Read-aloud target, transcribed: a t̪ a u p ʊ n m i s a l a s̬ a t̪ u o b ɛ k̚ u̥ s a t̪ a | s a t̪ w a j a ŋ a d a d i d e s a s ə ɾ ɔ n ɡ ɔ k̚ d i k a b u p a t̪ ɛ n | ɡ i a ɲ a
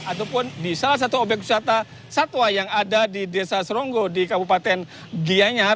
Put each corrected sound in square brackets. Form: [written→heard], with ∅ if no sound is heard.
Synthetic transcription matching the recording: a t̪ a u p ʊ n [m→b] i s a l a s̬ a t̪ u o b ɛ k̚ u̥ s a t̪ a | s a t̪ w a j a ŋ a d a d i d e s a s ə ɾ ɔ [n→ŋ] ɡ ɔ [k̚→∅] d i k a b u p a t̪ ɛ n | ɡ i a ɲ a